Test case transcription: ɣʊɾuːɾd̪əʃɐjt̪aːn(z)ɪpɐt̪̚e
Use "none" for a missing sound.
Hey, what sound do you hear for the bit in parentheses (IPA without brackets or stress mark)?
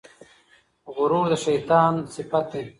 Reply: s